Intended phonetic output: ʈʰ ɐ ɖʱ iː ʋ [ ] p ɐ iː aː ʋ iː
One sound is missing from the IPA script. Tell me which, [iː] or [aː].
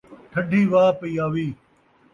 aː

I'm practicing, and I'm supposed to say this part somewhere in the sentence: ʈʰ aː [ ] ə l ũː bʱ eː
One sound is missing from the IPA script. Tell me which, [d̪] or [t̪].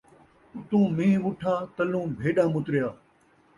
t̪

